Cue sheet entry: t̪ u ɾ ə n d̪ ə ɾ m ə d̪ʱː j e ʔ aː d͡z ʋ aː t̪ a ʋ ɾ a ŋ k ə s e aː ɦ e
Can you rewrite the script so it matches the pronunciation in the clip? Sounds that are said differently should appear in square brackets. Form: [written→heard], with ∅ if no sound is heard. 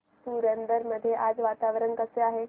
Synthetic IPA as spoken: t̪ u ɾ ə n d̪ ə ɾ m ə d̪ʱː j e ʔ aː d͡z ʋ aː t̪ a ʋ ɾ [a→ə] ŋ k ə s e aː ɦ e